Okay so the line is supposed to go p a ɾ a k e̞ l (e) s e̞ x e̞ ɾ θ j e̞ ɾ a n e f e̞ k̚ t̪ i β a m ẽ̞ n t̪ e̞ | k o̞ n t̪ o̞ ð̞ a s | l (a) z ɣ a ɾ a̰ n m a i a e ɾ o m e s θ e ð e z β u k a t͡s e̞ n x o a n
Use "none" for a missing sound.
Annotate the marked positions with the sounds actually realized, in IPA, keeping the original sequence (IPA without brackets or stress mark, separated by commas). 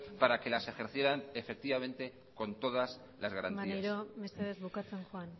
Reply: a, a